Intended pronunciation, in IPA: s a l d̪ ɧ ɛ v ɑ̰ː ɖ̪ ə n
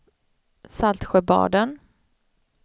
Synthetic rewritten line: s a l t̪ ɧ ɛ b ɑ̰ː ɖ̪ ə n